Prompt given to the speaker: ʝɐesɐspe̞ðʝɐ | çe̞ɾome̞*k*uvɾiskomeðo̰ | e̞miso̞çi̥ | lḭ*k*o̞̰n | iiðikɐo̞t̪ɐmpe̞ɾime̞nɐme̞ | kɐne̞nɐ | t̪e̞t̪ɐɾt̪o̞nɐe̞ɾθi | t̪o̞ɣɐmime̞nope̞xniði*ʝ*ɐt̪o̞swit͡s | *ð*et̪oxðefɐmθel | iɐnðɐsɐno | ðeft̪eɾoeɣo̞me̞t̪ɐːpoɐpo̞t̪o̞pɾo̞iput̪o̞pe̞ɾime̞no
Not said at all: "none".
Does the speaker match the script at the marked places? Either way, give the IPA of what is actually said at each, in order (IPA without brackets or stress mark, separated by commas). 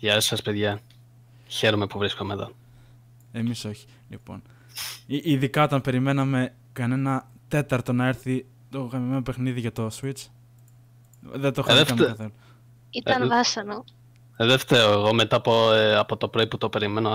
p, p, ʝ, ð